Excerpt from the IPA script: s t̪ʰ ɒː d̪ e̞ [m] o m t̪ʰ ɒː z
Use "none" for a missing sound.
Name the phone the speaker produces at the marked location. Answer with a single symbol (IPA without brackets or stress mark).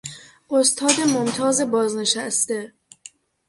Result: m